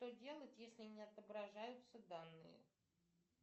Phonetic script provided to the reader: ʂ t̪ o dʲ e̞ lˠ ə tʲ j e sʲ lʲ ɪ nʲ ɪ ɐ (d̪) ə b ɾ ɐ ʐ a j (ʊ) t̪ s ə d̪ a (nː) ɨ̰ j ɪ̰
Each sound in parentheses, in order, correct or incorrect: incorrect: t̪, correct, correct

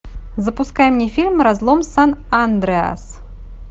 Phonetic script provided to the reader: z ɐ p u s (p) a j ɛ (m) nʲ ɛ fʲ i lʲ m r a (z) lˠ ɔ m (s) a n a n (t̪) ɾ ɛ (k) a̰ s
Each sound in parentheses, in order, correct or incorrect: incorrect: k, correct, correct, correct, incorrect: d̪, incorrect: none

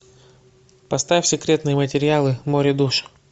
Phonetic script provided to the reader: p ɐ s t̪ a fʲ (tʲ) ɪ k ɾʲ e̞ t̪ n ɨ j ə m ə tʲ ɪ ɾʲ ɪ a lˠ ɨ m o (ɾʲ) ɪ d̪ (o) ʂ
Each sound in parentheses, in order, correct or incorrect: incorrect: sʲ, correct, incorrect: u

